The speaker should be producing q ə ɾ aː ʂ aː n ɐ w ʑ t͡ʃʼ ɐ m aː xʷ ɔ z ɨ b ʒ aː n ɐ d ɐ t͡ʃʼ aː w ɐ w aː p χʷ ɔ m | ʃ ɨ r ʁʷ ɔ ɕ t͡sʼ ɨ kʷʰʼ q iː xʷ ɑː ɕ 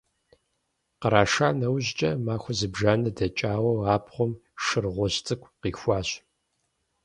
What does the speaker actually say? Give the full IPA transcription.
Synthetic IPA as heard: q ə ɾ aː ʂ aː n ɐ w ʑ t͡ʃʼ ɐ m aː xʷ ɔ z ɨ b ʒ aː n ɐ d ɐ t͡ʃʼ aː w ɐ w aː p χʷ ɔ m | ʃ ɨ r ʁʷ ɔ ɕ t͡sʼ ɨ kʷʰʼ q iː xʷ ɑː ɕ

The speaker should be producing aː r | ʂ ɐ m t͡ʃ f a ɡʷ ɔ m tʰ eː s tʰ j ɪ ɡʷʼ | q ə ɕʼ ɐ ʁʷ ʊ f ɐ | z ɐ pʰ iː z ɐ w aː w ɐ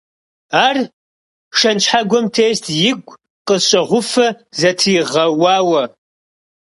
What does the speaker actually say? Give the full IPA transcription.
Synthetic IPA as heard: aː r | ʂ ɐ n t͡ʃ ħ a ɡʷ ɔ m tʰ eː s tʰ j ɪ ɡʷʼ | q ə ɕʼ ɐ ʁʷ ʊ f ɐ | z ɐ tʰ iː ʁ ɐ w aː w ɐ

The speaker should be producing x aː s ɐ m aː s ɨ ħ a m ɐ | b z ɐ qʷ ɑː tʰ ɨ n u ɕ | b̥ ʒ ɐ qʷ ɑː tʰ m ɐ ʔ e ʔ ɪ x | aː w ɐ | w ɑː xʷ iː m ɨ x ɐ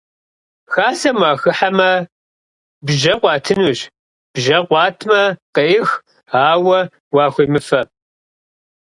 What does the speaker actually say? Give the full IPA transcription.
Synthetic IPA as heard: x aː s ɐ m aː x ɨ ħ a m ɐ | b ʒ ɐ qʷ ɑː tʰ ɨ n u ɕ | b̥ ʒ ɐ qʷ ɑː tʰ m ɐ q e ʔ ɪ x | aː w ɐ | w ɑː xʷ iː m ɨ f ɐ

